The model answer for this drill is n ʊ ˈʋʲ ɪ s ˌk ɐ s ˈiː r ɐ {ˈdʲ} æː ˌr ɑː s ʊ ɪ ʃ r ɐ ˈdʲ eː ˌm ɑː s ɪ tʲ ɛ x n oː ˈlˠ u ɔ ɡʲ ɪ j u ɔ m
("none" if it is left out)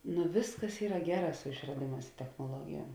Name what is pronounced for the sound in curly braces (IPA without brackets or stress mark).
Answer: ɡʲ